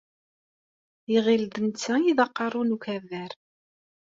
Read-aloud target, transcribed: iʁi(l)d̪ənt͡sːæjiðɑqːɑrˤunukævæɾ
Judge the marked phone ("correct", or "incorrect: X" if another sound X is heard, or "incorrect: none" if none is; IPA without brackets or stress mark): correct